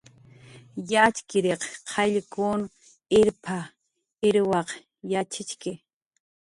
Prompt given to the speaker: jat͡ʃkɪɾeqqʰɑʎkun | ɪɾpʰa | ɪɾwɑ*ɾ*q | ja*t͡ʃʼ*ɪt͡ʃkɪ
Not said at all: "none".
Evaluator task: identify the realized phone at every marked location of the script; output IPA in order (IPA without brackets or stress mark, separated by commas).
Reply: none, t͡ʃ